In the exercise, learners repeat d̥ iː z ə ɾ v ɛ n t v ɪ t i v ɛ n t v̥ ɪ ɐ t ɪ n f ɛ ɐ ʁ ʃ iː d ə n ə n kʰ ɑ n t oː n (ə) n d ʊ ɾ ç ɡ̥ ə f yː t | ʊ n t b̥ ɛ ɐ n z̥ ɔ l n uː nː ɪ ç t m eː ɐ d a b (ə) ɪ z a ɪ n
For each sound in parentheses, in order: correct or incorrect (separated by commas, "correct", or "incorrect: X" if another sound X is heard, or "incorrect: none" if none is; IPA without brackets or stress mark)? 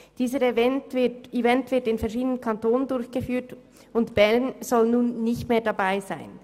correct, incorrect: a